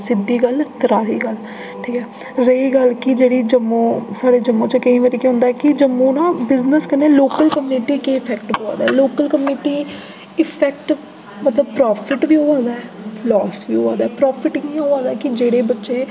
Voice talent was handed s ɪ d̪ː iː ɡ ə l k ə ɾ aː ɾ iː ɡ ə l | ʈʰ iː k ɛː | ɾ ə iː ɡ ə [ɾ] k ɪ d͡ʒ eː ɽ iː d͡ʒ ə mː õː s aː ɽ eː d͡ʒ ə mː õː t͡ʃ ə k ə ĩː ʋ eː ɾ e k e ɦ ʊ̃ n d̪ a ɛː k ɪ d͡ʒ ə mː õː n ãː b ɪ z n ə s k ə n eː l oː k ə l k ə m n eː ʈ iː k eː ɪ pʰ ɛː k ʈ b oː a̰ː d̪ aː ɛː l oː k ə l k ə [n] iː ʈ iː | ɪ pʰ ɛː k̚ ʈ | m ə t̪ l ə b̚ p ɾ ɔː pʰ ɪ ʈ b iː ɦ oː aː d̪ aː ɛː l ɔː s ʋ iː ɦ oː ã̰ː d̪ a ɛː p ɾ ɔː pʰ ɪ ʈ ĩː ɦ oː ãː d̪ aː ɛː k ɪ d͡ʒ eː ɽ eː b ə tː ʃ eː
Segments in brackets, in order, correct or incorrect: incorrect: l, incorrect: m

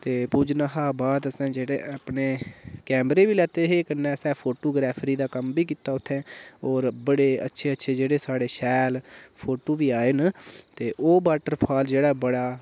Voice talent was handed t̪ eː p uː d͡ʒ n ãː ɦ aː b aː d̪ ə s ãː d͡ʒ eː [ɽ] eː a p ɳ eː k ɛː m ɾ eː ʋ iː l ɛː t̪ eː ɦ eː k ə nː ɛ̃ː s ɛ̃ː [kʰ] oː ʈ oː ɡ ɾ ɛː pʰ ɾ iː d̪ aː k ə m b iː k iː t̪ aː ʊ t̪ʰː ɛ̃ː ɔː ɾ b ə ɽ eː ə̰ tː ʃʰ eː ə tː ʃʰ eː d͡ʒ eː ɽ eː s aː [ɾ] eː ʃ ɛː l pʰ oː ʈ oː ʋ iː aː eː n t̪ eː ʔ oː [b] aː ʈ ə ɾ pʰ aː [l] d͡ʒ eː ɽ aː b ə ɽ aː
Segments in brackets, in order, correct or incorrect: correct, incorrect: pʰ, incorrect: ɽ, correct, correct

